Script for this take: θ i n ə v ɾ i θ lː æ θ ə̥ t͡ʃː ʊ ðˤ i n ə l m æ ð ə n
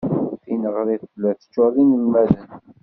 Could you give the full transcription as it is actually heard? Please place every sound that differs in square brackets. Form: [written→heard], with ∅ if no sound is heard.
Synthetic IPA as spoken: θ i n ə [v→ʁ] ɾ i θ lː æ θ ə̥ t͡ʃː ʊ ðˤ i n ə l m æ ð ə n